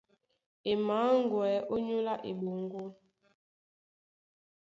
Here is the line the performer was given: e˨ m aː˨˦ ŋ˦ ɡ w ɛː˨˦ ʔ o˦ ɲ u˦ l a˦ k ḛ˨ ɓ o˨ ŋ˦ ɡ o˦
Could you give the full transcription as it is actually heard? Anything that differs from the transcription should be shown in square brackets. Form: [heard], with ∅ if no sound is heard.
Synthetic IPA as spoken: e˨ m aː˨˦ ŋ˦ ɡ w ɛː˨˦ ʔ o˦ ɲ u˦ l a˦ [ʔ] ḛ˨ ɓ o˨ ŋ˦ ɡ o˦